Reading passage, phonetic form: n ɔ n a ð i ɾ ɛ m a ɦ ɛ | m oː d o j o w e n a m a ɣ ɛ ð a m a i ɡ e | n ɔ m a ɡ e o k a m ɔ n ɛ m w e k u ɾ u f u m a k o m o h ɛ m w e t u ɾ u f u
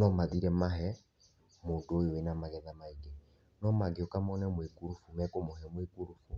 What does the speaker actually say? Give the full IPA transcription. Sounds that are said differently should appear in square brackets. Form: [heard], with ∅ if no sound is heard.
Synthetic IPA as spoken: n ɔ [m] a ð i ɾ ɛ m a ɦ ɛ | m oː d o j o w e n a m a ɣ ɛ ð a m a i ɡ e | n ɔ m a ɡ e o k a m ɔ n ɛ m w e k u ɾ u f u m [ɛ] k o m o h ɛ m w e [k] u ɾ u f u